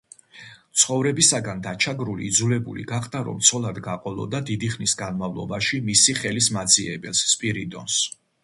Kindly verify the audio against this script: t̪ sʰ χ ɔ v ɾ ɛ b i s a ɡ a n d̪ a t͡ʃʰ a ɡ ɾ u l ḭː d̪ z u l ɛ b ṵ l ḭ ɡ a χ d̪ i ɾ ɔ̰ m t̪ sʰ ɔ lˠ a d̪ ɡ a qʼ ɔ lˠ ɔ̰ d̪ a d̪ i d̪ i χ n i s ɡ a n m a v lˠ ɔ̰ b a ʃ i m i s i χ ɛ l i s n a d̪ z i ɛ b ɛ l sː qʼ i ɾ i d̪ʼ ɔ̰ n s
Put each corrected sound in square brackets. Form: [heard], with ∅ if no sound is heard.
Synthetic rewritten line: t̪ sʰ χ ɔ v ɾ ɛ b i s a ɡ a n d̪ a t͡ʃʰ a ɡ ɾ u l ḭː d̪ z u l ɛ b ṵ l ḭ ɡ a χ d̪ [a] ɾ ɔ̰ m t̪ sʰ ɔ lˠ a d̪ ɡ a qʼ ɔ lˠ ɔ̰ d̪ a d̪ i d̪ i χ n i s ɡ a n m a v lˠ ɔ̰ b a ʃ i m i s i χ ɛ l i s [m] a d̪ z i ɛ b ɛ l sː [pʼ] i ɾ i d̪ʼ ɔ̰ n s